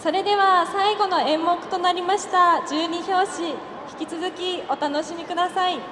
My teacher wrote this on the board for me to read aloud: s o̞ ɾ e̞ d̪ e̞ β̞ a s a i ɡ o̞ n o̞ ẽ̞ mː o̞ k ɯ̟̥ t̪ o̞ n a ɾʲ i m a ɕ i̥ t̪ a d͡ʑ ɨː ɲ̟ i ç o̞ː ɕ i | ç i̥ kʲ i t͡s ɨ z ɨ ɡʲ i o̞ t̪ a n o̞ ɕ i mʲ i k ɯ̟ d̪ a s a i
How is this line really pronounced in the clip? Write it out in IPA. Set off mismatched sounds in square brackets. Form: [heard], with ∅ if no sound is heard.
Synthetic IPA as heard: s o̞ ɾ e̞ d̪ e̞ β̞ a s a i ɡ o̞ n o̞ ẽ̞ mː o̞ k ɯ̟̥ t̪ o̞ n a ɾʲ i m a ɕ i̥ t̪ a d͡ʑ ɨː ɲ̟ i ç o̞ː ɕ i | ç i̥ kʲ i t͡s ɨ z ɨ [kʲ] i o̞ t̪ a n o̞ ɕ i mʲ i k ɯ̟ d̪ a s a i

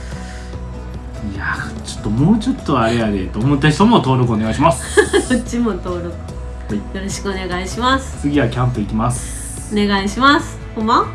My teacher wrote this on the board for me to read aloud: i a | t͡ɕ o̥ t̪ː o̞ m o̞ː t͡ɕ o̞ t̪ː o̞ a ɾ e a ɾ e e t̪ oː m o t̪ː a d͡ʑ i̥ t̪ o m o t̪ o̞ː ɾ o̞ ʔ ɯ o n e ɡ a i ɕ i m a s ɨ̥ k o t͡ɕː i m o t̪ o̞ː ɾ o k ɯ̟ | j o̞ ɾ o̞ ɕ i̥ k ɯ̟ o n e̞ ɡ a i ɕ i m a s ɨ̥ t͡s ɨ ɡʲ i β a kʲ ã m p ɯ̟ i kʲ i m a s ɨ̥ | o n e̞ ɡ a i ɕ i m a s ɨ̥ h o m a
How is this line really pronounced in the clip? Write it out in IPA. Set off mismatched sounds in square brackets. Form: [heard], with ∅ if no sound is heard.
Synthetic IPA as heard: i a | t͡ɕ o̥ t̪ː o̞ m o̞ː t͡ɕ o̞ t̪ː o̞ a ɾ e a ɾ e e t̪ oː m o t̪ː a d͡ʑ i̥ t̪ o m o t̪ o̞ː ɾ o̞ [k] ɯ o n e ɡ a i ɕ i m a s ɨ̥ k o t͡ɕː i m o t̪ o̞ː ɾ o k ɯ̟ | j o̞ ɾ o̞ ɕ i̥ k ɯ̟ o n e̞ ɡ a i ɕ i m a s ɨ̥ t͡s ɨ ɡʲ i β a kʲ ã m p ɯ̟ i kʲ i m a s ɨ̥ | o n e̞ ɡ a i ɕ i m a s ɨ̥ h o m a

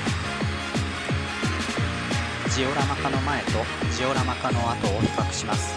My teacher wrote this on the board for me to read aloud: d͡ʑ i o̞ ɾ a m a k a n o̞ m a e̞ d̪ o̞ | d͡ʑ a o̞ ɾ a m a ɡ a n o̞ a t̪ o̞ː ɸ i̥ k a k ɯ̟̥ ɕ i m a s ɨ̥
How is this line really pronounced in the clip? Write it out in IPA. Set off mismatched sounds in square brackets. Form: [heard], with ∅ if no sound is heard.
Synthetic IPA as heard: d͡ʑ i o̞ ɾ a m a k a n o̞ m a e̞ [t̪] o̞ | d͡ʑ [i] o̞ ɾ a m a [k] a n o̞ a t̪ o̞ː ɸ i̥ k a k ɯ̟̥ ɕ i m a s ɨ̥

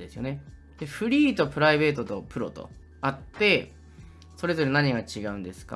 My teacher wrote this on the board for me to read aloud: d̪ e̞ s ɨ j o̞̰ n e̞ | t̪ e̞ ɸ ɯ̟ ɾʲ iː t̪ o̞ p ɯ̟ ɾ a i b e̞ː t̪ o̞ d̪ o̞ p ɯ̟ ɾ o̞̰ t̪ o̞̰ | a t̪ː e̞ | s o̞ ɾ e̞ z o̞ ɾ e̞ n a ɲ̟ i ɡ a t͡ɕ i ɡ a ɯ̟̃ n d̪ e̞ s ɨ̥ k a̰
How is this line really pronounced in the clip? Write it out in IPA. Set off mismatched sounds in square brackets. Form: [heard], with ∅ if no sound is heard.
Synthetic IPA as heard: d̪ e̞ s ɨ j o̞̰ n e̞ | [d̪] e̞ ɸ ɯ̟ ɾʲ iː t̪ o̞ p ɯ̟ ɾ a i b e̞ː t̪ o̞ [t̪] o̞ p ɯ̟ ɾ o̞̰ t̪ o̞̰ | a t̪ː e̞ | s o̞ ɾ e̞ z o̞ ɾ e̞ n a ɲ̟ i ɡ a t͡ɕ i ɡ a ɯ̟̃ n d̪ e̞ s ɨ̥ k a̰

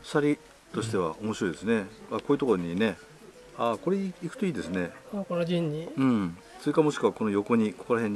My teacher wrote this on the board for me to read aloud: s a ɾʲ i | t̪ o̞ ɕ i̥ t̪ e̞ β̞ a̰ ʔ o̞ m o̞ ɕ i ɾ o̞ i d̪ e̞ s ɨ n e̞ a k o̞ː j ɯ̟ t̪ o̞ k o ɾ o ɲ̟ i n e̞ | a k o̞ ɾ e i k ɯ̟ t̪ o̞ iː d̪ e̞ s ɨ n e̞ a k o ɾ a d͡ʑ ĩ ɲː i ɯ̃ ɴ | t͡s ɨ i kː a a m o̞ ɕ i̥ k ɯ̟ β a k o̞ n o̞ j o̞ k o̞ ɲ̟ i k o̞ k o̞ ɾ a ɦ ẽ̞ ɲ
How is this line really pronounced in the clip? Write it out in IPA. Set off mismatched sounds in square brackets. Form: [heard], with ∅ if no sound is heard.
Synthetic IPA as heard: s a ɾʲ i | t̪ o̞ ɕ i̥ t̪ e̞ β̞ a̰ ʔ o̞ m o̞ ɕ i ɾ o̞ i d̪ e̞ s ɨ n e̞ a k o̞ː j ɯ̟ t̪ o̞ k o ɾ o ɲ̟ i n e̞ | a k o̞ ɾ e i k ɯ̟ t̪ o̞ iː d̪ e̞ s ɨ n e̞ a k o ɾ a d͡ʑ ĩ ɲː i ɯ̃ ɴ | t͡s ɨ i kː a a m o̞ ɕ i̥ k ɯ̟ β a k o̞ n o̞ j o̞ k o̞ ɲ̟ i k o̞ k o̞ ɾ a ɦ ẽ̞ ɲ

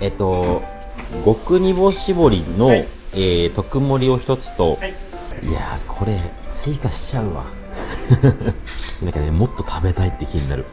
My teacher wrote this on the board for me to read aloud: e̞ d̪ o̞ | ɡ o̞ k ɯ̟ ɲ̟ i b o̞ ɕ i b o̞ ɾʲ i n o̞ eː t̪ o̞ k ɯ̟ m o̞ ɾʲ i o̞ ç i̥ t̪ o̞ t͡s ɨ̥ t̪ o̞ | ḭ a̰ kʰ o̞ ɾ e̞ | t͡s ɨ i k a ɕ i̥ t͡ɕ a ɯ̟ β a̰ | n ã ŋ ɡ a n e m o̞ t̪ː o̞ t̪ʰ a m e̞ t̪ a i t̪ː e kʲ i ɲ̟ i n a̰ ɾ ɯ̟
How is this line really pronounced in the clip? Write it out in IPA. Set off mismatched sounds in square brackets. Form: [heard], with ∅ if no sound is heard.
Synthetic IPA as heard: e̞ [t̪] o̞ | ɡ o̞ k ɯ̟ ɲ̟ i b o̞ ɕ i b o̞ ɾʲ i n o̞ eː t̪ o̞ k ɯ̟ m o̞ ɾʲ i o̞ ç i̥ t̪ o̞ t͡s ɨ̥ t̪ o̞ | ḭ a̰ kʰ o̞ ɾ e̞ | t͡s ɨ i k a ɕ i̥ t͡ɕ a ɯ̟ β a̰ | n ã ŋ [k] a n e m o̞ t̪ː o̞ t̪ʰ a [b] e̞ t̪ a i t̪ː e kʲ i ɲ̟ i n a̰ ɾ ɯ̟

